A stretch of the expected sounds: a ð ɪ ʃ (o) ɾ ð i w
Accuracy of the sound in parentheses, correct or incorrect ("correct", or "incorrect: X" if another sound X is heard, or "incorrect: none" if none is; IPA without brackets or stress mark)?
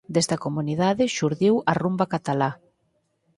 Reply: incorrect: u